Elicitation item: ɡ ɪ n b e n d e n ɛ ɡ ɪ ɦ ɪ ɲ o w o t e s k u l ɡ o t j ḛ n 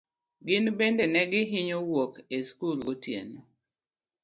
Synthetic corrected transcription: ɡ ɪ n b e n d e n ɛ ɡ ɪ ɦ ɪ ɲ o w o k e s k u l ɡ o t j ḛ n